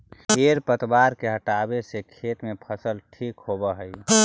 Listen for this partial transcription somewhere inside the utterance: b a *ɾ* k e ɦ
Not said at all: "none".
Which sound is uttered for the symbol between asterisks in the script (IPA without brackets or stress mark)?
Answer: ɾ